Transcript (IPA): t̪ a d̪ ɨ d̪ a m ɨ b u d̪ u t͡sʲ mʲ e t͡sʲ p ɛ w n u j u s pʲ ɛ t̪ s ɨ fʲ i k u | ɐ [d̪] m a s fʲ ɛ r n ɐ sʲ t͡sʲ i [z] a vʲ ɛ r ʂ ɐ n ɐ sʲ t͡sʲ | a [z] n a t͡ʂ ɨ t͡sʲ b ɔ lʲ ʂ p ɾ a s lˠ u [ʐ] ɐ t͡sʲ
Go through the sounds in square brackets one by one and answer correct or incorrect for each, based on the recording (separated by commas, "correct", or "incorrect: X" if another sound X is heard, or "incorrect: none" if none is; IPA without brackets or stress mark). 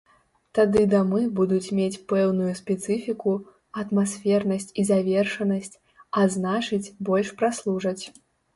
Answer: incorrect: t̪, correct, correct, correct